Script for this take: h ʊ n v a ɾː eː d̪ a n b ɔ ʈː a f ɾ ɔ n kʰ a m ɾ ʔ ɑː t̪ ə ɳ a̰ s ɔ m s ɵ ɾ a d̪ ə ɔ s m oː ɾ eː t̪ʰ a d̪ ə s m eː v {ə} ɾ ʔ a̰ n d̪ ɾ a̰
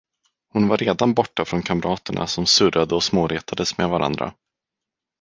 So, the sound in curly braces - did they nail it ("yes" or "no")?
no